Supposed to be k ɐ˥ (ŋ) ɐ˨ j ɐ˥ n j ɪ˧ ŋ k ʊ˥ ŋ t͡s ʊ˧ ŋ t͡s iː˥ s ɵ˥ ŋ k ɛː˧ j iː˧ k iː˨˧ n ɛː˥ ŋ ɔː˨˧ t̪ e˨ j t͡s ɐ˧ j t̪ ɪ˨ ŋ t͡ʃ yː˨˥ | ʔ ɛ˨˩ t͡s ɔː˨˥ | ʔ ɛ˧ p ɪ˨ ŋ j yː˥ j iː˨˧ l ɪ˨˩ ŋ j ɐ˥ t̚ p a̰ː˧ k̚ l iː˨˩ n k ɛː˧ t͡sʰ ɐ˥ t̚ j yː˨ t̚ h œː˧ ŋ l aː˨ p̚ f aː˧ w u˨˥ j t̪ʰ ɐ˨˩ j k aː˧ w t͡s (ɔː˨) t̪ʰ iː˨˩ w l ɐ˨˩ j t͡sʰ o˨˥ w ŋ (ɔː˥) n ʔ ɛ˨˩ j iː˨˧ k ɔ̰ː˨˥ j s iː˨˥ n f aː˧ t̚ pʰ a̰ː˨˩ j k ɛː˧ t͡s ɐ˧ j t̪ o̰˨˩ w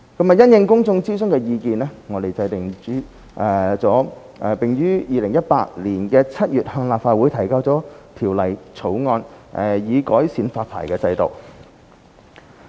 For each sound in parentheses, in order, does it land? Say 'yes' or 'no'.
no, no, no

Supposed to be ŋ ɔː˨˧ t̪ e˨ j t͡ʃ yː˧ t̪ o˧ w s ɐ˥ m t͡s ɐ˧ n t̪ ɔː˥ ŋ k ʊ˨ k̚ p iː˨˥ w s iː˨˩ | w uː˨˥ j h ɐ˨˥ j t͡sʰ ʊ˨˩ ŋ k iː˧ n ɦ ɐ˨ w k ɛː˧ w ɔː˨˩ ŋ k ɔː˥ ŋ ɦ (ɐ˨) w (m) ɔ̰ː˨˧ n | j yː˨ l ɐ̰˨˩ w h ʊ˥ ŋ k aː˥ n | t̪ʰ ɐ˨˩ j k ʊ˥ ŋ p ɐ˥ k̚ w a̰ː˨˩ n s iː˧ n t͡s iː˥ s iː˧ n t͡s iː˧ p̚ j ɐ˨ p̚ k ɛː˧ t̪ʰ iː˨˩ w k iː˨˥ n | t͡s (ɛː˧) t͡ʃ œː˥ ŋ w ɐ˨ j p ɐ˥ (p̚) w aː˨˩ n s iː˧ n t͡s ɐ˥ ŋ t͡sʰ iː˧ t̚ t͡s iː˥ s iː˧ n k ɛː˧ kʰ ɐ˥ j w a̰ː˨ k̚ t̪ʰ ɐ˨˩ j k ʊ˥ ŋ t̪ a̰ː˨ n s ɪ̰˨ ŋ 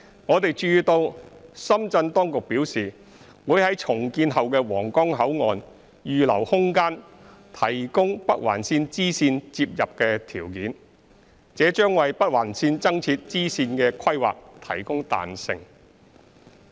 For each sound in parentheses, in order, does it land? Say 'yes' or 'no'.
no, no, no, no

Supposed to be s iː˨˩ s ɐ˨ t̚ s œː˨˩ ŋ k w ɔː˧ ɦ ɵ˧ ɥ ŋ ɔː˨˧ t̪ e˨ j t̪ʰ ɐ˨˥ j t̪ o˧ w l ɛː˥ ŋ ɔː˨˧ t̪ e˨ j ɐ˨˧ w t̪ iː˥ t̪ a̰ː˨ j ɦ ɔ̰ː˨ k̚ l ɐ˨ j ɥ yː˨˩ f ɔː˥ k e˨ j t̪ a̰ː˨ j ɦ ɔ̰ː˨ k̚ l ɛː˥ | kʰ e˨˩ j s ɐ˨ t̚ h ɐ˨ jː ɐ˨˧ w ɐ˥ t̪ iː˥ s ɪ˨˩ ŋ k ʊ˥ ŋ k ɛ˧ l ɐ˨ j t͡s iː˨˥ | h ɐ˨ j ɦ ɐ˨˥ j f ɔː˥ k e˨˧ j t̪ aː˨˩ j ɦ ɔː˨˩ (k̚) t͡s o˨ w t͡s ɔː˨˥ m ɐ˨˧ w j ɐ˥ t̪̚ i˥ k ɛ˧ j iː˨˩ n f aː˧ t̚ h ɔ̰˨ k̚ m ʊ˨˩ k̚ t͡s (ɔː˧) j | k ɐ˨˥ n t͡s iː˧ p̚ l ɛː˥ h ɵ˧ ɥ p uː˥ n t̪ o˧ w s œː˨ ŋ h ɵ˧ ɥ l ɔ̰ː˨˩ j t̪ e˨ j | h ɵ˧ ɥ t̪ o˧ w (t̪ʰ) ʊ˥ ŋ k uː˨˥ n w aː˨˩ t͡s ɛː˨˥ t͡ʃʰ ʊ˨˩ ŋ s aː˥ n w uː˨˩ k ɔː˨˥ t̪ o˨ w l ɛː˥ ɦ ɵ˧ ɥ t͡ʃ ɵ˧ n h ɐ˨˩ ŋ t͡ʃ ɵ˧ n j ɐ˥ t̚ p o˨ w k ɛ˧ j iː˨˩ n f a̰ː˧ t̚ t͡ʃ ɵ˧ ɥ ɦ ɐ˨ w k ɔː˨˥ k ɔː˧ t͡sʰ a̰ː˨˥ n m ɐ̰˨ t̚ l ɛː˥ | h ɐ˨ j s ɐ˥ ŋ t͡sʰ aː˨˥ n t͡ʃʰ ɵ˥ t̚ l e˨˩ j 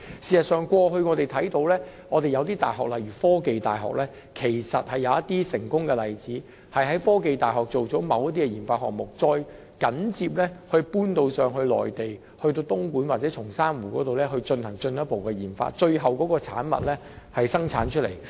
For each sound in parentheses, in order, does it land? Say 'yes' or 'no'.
yes, yes, no

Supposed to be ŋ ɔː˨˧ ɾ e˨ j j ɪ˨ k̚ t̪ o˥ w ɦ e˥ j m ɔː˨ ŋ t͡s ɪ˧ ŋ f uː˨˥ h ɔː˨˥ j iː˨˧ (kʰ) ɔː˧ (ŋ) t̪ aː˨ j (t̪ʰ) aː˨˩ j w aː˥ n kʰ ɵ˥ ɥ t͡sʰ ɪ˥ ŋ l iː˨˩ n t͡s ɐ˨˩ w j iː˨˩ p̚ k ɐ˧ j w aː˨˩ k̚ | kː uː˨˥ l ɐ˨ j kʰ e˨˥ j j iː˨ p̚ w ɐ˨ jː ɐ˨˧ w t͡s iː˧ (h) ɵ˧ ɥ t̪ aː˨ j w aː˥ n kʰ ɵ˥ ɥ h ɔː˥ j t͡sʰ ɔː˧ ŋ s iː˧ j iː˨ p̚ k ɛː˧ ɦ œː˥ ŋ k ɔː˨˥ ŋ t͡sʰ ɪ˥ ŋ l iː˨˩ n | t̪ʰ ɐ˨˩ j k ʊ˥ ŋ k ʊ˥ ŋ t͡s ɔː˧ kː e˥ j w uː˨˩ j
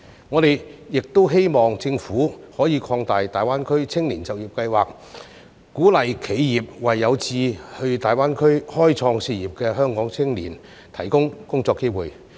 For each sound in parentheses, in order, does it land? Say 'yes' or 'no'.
yes, yes, no, yes

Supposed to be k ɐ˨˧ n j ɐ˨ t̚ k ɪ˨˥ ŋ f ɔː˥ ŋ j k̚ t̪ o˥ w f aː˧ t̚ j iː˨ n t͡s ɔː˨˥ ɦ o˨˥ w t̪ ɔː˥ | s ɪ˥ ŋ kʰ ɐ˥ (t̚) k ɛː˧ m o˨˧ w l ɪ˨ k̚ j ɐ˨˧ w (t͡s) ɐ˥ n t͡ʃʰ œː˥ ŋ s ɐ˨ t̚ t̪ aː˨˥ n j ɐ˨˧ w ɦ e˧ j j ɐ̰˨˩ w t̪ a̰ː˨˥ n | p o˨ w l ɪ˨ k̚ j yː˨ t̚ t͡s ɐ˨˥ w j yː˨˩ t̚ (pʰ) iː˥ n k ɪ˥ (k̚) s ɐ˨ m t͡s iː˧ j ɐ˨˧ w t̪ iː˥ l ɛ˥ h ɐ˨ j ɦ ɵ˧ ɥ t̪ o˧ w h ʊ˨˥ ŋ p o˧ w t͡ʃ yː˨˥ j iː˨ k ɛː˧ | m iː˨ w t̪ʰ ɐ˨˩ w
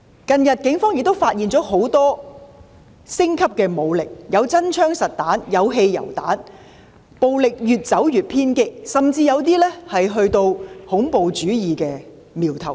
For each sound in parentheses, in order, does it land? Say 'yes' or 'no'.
no, yes, yes, yes

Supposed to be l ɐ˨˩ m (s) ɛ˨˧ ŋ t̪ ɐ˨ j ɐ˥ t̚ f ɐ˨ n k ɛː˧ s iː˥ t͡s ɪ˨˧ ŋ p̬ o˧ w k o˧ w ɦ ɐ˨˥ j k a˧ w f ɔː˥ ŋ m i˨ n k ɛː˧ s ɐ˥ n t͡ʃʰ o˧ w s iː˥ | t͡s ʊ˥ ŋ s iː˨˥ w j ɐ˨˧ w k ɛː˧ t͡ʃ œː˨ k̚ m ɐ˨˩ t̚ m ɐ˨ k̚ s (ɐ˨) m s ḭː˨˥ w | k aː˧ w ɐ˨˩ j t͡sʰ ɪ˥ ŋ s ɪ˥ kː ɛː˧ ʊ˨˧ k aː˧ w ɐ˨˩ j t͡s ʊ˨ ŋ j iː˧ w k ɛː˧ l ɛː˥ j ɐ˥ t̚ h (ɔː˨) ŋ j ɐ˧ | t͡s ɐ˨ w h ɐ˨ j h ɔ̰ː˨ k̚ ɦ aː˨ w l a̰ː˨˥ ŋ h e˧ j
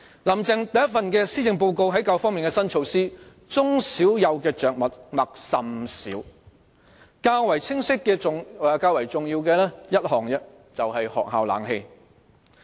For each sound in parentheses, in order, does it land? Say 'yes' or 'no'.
no, yes, yes

